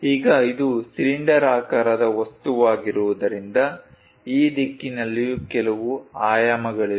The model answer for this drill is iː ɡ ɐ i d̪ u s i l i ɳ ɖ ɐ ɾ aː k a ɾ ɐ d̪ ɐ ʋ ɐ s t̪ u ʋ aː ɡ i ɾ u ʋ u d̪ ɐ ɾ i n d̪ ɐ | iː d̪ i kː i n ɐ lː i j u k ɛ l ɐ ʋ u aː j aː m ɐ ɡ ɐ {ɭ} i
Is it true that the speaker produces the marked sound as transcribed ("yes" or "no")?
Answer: yes